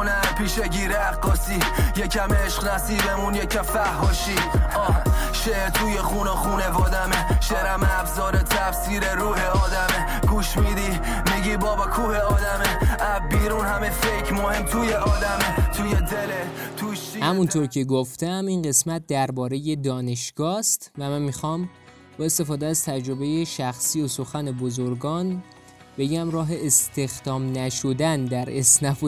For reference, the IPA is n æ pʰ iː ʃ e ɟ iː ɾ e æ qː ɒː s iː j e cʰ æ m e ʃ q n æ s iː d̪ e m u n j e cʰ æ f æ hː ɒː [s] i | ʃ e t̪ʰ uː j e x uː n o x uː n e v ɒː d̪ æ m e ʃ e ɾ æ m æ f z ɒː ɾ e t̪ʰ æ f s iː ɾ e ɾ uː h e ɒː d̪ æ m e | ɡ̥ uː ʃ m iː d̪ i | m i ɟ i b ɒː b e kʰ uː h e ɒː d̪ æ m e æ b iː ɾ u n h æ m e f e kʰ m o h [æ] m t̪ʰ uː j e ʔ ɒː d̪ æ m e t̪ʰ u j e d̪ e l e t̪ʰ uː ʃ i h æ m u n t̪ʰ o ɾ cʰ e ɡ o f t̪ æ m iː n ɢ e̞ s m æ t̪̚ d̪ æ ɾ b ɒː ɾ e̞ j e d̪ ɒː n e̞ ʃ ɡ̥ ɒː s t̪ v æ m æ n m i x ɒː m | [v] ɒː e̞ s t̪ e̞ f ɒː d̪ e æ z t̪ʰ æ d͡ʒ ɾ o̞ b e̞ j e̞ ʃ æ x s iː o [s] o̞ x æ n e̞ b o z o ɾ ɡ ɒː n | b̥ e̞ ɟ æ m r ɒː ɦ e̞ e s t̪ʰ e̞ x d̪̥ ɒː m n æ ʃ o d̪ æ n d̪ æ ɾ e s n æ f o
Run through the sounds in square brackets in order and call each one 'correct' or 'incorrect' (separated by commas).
incorrect, incorrect, incorrect, correct